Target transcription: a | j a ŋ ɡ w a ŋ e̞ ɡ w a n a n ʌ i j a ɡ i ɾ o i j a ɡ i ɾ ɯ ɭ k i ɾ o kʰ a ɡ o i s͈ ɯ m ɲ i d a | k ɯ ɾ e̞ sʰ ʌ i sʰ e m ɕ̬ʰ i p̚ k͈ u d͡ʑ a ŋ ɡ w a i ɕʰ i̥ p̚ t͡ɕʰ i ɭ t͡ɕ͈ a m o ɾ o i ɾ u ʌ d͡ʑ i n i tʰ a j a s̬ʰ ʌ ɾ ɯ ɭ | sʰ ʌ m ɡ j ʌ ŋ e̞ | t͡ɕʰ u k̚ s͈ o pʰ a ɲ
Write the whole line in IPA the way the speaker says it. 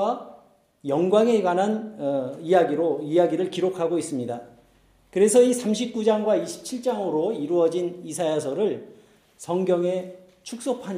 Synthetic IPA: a | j ʌ ŋ ɡ w a ŋ e̞ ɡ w a n a n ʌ i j a ɡ i ɾ o i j a ɡ i ɾ ɯ ɭ k i ɾ o kʰ a ɡ o i s͈ ɯ m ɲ i d a | k ɯ ɾ e̞ sʰ ʌ i sʰ a m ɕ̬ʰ i p̚ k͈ u d͡ʑ a ŋ ɡ w a i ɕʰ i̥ p̚ t͡ɕʰ i ɭ t͡ɕ͈ a ŋ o ɾ o i ɾ u ʌ d͡ʑ i n i sʰ a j a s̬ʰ ʌ ɾ ɯ ɭ | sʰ ʌ ŋ ɡ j ʌ ŋ e̞ | t͡ɕʰ u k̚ s͈ o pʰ a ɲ